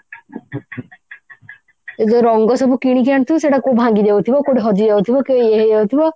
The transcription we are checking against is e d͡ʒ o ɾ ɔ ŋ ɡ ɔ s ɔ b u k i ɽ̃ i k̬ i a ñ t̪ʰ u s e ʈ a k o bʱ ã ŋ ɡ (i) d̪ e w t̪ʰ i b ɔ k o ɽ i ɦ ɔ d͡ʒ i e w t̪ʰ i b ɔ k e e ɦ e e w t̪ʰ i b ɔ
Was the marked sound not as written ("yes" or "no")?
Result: no